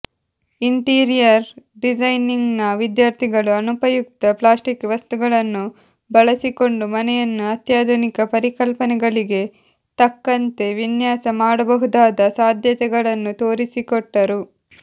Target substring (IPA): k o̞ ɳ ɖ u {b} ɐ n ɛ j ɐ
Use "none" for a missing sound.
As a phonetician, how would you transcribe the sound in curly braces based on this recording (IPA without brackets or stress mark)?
m